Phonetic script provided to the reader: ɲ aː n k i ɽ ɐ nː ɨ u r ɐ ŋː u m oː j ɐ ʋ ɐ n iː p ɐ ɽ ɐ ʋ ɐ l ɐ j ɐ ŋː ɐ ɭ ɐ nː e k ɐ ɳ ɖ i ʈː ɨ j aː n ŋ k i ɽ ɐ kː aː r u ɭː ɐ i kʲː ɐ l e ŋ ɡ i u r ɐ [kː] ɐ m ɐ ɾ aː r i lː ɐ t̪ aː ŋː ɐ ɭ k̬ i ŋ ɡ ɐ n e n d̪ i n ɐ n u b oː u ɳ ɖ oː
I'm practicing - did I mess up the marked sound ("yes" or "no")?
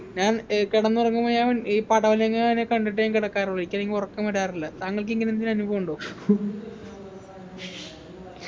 no